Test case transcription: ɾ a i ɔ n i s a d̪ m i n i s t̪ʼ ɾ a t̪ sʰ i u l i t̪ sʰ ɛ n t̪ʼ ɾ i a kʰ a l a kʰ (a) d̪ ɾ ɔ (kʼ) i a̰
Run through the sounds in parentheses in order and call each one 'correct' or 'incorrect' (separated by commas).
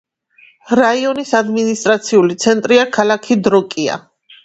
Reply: incorrect, correct